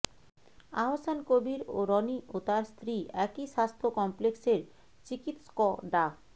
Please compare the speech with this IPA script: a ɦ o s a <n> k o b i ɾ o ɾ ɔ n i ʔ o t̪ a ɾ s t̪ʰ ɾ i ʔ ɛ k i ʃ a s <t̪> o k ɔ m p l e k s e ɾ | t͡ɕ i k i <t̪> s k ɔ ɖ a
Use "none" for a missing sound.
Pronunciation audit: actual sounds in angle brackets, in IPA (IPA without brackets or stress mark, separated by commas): n, t̪ʰ, t̪